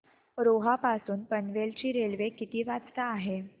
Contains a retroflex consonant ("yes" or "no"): no